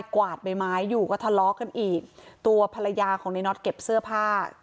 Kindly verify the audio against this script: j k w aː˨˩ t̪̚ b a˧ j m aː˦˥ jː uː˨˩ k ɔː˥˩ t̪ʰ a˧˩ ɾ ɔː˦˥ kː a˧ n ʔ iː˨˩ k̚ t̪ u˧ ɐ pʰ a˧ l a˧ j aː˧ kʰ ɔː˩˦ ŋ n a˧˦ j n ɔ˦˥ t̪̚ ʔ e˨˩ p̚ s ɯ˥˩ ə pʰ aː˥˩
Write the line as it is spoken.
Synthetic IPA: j k w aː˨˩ t̪̚ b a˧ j m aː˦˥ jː uː˨˩ k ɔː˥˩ t̪ʰ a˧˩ l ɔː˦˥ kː a˧ n ʔ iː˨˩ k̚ t̪ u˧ ɐ pʰ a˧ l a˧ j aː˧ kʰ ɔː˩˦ ŋ n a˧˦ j n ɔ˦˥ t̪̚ k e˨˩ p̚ s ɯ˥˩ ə pʰ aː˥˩